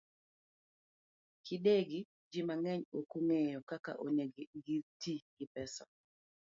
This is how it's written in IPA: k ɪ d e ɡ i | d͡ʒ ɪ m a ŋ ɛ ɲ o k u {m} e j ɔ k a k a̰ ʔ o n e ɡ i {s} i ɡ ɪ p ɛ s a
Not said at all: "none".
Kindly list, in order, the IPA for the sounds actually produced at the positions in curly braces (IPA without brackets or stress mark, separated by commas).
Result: ŋ, t